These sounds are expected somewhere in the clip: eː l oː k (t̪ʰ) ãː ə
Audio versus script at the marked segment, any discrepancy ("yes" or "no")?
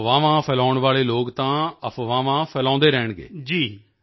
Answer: yes